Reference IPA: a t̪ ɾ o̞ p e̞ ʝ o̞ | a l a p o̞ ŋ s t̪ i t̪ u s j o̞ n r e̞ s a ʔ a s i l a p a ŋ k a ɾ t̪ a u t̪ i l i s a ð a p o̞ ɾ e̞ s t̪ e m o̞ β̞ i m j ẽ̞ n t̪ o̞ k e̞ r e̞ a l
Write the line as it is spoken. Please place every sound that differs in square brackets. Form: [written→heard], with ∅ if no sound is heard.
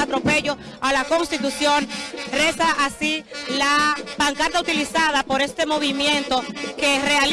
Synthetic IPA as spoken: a t̪ ɾ o̞ p e̞ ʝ o̞ | a l a [p→k] o̞ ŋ s t̪ i t̪ u s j o̞ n r e̞ s a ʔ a s i l a p a ŋ k a ɾ t̪ a u t̪ i l i s a ð a p o̞ ɾ e̞ s t̪ e m o̞ β̞ i m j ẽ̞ n t̪ o̞ k e̞ r e̞ a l